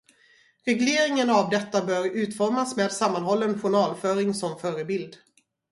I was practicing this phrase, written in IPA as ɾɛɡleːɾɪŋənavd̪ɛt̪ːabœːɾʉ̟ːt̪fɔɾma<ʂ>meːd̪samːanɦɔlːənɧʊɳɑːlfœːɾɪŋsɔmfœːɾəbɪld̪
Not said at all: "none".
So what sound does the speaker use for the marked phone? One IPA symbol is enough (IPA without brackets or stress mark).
s